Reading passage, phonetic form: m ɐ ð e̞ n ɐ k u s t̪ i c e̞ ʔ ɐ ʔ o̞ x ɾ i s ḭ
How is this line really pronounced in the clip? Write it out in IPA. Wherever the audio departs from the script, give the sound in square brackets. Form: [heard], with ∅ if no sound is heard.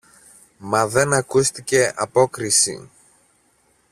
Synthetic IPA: m ɐ ð e̞ n ɐ k u s t̪ i c e̞ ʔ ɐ [p] o̞ [k] ɾ i s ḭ